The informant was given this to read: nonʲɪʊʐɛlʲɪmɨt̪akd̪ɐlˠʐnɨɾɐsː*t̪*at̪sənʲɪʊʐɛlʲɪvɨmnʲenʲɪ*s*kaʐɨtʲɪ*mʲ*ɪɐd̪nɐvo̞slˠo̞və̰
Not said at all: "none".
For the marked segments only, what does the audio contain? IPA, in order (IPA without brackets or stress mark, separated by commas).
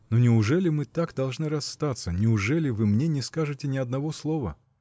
t̪, s, nʲ